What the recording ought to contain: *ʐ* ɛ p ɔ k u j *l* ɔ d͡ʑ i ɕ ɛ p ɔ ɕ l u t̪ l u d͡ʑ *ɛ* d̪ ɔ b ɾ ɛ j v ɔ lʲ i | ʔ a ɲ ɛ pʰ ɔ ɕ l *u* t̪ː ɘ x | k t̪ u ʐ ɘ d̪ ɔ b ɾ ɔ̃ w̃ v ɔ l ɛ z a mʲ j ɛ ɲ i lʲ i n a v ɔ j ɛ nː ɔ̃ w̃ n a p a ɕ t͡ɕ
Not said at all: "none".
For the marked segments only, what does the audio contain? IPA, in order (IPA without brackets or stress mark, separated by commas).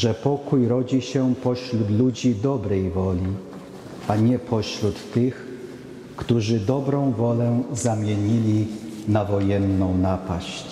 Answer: ʐ, ɾ, i, u